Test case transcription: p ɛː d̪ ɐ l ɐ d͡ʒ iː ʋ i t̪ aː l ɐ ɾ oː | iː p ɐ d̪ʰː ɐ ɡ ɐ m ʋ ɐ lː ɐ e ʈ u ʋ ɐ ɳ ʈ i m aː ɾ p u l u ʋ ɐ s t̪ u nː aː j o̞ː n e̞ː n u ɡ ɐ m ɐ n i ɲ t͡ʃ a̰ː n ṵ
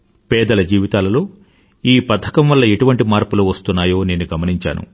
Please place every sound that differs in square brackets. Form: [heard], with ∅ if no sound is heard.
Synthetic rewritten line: p ɛː d̪ ɐ l ɐ d͡ʒ iː ʋ i t̪ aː l ɐ [l] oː | iː p ɐ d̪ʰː ɐ [k] ɐ m ʋ ɐ lː ɐ e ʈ u ʋ ɐ ɳ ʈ i m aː ɾ p u l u ʋ ɐ s t̪ u nː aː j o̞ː n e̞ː n u ɡ ɐ m ɐ n i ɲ t͡ʃ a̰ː n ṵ